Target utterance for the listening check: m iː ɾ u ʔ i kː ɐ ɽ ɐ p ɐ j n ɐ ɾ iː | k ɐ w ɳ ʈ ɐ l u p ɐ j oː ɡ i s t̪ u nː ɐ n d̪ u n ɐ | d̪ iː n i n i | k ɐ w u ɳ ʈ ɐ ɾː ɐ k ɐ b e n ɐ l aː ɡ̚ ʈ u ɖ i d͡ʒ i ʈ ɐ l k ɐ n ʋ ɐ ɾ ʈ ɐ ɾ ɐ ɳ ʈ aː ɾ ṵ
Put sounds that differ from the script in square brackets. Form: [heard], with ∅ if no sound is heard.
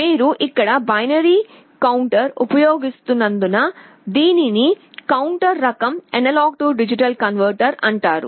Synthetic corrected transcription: m iː ɾ u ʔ i kː ɐ ɽ ɐ [b] ɐ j n ɐ ɾ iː | k ɐ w ɳ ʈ ɐ [ɾ] u p ɐ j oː ɡ i s t̪ u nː ɐ n d̪ u n ɐ | d̪ iː n i n i | k ɐ w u ɳ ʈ ɐ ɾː ɐ k ɐ [m] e n ɐ l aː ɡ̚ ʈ u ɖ i d͡ʒ i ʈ ɐ l k ɐ n ʋ ɐ ɾ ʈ ɐ ɾ ɐ ɳ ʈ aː ɾ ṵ